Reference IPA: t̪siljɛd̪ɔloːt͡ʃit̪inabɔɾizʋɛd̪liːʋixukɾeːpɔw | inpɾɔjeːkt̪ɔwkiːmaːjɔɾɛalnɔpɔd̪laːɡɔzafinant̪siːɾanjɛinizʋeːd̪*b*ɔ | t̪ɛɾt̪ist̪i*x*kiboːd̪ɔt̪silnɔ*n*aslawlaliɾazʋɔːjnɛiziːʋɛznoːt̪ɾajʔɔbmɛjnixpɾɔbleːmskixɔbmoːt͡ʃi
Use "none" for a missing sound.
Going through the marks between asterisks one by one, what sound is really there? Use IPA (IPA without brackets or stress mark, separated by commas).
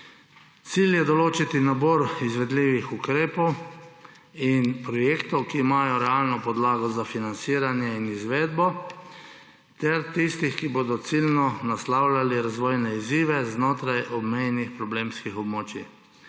b, x, n